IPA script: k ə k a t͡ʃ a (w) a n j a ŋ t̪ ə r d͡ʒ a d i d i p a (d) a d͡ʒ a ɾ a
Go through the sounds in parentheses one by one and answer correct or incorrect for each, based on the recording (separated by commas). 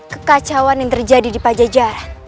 correct, incorrect